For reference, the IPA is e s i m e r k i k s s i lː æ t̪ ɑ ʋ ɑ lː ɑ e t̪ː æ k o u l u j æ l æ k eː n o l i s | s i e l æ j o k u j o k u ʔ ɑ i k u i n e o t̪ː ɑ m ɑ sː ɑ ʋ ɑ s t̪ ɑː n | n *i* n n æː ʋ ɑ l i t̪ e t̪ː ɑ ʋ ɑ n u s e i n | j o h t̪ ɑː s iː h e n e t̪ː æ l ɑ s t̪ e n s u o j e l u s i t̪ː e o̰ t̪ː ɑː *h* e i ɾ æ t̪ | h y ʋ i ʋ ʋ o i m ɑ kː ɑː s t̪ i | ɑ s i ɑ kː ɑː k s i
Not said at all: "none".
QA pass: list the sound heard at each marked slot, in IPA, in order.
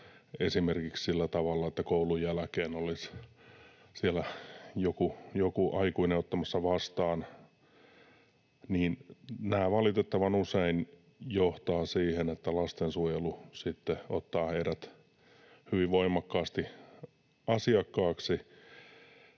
iː, h

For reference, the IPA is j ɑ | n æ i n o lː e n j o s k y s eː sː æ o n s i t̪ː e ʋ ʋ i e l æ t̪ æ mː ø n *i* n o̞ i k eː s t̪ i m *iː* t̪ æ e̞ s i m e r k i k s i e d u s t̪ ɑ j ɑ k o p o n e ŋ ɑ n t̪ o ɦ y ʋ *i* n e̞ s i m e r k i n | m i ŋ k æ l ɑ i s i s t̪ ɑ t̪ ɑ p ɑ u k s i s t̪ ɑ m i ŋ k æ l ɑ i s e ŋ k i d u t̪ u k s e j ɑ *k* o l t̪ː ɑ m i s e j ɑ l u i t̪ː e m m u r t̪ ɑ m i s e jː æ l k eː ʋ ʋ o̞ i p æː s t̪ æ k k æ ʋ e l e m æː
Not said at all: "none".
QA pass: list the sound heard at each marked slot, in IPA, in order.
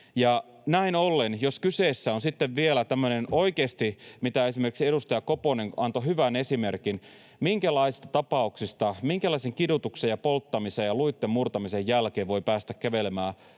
e, i, æ, p

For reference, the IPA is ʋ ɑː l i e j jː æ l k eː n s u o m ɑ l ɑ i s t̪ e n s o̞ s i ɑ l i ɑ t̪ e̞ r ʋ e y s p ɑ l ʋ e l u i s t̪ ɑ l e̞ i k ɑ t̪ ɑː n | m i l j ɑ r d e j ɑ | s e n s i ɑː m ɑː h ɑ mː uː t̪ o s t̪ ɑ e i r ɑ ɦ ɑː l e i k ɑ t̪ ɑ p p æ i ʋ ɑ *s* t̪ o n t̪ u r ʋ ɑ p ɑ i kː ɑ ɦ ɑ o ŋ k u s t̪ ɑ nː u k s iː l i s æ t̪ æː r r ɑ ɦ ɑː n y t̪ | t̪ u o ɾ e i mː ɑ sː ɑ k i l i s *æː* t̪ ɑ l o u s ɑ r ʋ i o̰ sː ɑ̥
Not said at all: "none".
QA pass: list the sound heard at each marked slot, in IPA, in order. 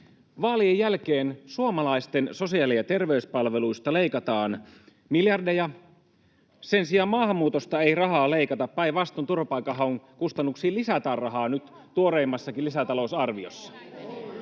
s, æ

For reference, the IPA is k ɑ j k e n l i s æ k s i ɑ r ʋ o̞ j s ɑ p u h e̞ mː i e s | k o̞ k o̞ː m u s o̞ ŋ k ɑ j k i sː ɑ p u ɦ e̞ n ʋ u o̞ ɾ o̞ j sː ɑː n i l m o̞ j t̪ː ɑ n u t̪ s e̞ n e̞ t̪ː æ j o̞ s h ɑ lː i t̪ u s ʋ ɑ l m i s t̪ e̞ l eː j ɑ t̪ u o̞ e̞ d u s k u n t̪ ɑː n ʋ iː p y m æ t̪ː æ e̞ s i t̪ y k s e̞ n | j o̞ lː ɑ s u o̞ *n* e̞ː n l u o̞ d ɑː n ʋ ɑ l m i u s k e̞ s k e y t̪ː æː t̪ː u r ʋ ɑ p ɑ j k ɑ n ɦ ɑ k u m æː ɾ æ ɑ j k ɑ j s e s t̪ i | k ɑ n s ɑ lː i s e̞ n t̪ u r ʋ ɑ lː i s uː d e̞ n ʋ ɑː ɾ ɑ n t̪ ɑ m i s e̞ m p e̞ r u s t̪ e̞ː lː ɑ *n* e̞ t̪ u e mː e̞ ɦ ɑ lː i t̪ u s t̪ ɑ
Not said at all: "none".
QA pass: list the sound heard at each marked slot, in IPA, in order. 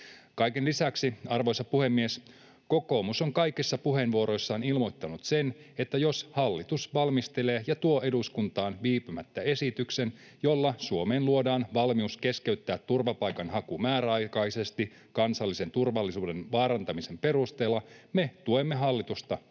m, m

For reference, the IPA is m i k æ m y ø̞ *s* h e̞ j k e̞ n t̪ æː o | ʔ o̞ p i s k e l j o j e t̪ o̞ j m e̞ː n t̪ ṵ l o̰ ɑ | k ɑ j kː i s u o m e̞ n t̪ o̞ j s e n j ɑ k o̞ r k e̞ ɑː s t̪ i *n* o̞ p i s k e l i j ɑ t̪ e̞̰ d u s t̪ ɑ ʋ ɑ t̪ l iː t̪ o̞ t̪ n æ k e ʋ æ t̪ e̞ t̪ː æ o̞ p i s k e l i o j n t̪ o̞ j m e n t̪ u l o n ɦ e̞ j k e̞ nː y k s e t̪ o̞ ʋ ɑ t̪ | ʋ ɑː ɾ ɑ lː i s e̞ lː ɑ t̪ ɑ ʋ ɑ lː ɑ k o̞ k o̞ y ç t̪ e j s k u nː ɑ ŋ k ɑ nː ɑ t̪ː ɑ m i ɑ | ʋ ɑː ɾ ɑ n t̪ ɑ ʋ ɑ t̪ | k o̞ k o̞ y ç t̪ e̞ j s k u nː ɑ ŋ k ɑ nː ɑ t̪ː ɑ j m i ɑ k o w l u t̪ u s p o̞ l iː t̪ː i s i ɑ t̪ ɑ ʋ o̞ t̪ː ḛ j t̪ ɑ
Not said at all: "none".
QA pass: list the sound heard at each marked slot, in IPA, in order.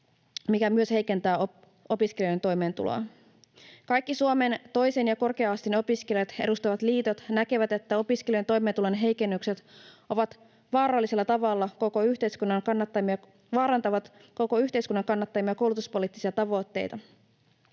s, n

